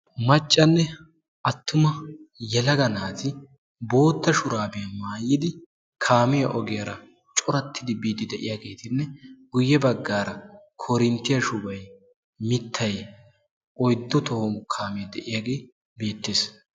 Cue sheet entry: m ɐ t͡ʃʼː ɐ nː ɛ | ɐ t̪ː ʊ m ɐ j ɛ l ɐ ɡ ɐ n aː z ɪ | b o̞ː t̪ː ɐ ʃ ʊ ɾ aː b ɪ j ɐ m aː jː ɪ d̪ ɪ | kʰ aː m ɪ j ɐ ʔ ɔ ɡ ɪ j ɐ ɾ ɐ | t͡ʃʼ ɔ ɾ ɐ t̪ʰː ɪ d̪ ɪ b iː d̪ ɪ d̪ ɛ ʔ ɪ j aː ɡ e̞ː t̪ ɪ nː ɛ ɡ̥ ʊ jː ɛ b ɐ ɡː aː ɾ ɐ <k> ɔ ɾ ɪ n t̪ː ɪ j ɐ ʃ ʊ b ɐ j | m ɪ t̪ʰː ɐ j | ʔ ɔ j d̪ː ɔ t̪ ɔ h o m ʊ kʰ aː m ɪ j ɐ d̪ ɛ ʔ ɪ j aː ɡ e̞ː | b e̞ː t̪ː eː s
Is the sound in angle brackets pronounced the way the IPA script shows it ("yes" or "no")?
no